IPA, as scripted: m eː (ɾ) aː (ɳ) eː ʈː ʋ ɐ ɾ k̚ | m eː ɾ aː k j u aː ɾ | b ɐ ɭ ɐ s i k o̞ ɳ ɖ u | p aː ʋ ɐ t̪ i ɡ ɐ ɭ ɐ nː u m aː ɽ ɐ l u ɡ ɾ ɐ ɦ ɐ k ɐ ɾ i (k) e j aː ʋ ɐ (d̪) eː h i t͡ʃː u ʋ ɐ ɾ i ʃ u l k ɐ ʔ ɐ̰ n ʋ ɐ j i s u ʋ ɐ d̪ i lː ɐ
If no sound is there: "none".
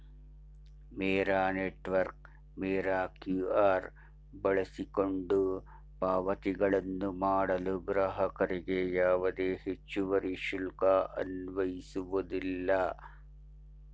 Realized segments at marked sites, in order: ɾ, n, ɡ, d̪

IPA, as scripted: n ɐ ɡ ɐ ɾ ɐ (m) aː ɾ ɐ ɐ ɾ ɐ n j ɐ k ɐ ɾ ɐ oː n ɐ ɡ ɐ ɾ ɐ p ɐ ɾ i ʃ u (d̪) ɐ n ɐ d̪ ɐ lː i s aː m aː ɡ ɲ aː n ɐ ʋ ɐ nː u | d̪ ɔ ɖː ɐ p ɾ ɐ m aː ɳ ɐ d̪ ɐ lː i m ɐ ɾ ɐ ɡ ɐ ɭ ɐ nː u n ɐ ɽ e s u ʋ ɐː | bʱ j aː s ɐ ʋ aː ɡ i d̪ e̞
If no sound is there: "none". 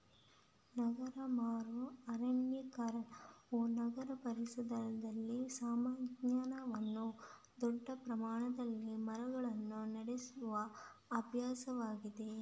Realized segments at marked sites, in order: m, d̪

